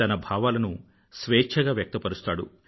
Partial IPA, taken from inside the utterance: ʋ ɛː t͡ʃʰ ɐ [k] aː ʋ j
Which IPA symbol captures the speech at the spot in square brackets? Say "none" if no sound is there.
ɡ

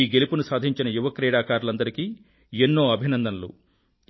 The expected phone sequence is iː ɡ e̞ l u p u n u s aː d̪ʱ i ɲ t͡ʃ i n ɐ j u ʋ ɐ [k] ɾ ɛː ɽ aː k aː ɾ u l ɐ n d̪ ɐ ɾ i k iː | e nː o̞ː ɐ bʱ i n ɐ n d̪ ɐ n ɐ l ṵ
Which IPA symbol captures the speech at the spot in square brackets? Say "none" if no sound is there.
k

